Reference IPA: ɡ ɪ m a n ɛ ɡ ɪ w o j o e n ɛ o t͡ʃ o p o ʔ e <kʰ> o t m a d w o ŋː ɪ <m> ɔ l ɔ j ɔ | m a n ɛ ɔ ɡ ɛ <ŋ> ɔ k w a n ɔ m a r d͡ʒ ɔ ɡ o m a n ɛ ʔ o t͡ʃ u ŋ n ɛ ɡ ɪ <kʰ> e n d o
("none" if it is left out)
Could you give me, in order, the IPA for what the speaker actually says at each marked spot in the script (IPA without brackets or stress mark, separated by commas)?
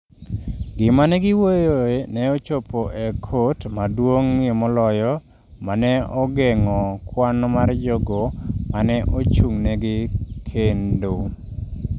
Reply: kʰ, m, ŋ, kʰ